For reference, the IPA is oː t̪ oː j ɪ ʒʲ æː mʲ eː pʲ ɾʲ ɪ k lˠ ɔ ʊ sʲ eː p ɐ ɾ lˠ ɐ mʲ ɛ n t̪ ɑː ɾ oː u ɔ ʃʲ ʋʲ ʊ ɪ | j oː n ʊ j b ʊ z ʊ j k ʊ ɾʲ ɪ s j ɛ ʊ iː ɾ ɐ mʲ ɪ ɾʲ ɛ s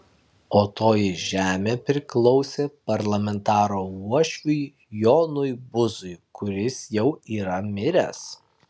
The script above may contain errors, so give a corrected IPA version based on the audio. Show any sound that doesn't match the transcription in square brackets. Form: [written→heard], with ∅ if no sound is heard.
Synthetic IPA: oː t̪ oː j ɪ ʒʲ æː mʲ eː pʲ ɾʲ ɪ k lˠ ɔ ʊ sʲ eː p ɐ ɾ lˠ ɐ mʲ ɛ n t̪ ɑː ɾ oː u ɔ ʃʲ ʋʲ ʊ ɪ | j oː n ʊ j b ʊ z ʊ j k ʊ ɾʲ ɪ s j ɛ ʊ iː ɾ ɐ mʲ ɪ ɾʲ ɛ s